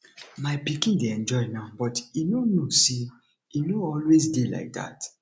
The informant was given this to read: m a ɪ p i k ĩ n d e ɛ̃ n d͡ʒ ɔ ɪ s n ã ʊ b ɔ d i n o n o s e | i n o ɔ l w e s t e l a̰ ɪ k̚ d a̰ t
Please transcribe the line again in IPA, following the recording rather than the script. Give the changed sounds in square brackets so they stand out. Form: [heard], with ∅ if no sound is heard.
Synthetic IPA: m a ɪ p i k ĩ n d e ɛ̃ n d͡ʒ ɔ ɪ [∅] n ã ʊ b ɔ [t] i n o n o s e | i n o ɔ l w e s [d] e l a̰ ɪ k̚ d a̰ t